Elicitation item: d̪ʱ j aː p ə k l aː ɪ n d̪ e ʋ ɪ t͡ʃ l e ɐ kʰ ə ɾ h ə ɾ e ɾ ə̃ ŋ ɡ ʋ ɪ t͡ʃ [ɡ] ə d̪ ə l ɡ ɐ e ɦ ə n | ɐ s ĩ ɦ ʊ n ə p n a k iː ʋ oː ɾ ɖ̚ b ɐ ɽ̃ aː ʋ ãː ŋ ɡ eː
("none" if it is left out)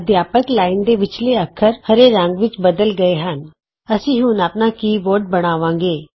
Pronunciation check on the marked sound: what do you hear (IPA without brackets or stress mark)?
b